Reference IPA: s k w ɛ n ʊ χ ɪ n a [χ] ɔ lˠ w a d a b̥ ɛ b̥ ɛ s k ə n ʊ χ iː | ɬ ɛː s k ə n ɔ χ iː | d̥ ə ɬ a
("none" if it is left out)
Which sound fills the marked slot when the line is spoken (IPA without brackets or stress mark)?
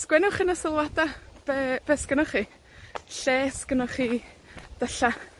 s